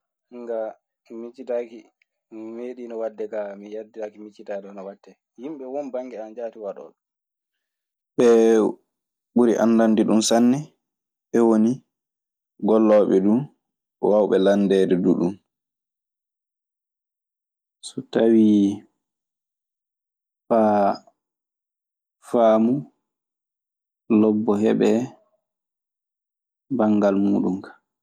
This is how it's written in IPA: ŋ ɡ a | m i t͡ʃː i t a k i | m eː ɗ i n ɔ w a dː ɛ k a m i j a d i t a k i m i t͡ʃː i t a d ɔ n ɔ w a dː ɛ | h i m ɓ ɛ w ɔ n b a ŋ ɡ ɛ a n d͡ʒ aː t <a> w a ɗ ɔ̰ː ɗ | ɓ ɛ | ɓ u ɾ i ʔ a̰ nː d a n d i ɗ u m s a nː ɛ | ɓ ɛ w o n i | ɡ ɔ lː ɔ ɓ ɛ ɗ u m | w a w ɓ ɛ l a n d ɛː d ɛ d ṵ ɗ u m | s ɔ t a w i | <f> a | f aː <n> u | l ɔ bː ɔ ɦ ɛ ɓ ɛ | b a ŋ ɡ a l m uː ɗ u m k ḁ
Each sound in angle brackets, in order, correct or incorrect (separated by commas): incorrect, correct, incorrect